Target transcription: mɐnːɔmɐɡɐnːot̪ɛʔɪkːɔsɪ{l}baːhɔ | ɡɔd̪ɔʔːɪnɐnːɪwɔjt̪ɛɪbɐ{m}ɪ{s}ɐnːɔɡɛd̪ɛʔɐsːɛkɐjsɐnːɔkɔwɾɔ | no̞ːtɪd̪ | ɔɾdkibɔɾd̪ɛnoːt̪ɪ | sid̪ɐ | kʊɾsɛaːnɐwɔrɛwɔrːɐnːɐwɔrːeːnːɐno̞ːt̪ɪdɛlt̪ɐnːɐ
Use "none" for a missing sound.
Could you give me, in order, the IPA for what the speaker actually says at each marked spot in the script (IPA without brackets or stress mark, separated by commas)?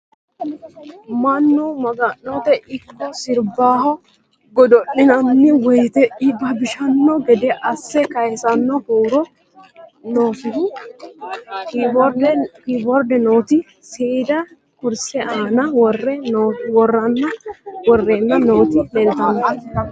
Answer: ɾ, b, ʃ